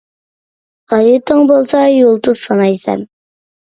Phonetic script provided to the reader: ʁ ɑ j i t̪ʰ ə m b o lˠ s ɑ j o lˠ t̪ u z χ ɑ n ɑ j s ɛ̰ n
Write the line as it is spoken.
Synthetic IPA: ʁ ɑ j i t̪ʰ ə ŋ b o lˠ s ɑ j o lˠ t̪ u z s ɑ n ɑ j s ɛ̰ n